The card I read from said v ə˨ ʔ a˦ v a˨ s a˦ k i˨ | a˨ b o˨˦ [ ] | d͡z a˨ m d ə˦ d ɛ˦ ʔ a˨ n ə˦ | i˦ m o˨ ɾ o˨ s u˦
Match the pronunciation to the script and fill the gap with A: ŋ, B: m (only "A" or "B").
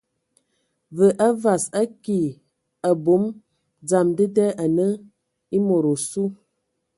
B